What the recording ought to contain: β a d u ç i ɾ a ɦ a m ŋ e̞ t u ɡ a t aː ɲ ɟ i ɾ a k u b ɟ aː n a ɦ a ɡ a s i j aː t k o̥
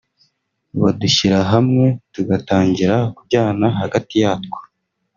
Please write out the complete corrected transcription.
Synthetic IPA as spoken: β a d u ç i ɾ a ɦ a m ŋ e̞ t u ɡ a t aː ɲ ɟ i ɾ a k u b ɟ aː n a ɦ a ɡ a t i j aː t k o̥